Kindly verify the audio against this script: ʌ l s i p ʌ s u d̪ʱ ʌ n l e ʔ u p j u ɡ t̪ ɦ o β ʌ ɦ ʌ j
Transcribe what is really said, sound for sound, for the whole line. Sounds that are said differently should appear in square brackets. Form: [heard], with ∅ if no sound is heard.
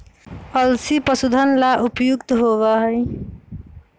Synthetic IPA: ʌ l s i p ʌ s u d̪ʱ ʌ n l [a] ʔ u p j u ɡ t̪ ɦ o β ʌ ɦ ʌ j